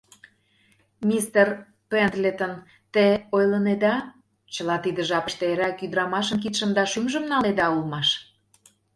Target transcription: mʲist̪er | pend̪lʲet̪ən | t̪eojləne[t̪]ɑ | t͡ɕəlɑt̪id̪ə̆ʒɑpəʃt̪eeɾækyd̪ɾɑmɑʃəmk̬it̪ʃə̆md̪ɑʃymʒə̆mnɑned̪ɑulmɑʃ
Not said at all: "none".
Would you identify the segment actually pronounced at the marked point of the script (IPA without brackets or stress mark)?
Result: d̪